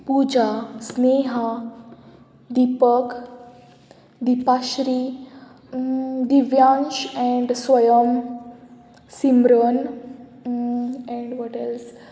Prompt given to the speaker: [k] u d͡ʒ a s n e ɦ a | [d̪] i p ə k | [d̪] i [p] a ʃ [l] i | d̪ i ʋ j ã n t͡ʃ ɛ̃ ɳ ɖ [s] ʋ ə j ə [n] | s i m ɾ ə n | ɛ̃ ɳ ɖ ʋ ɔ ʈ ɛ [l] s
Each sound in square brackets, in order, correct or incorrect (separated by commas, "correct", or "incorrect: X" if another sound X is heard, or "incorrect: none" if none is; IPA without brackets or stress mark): incorrect: p, correct, correct, correct, incorrect: ɾ, correct, incorrect: m, correct